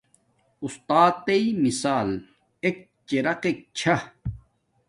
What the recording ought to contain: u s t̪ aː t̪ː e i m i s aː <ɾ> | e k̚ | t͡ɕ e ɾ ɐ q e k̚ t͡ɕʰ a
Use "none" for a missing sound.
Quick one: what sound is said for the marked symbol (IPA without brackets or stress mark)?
l